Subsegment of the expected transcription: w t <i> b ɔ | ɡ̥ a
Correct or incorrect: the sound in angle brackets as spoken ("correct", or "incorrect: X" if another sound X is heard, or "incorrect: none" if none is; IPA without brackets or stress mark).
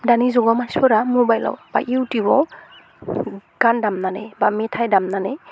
correct